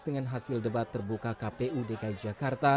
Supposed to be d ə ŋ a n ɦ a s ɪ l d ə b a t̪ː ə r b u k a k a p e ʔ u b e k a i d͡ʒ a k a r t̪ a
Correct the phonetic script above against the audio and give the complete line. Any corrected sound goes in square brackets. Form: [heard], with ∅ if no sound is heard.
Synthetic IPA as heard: d ə ŋ a n ɦ a s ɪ l d ə b a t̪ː ə r b u k a k a p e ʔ u [d] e k a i d͡ʒ a k a r t̪ a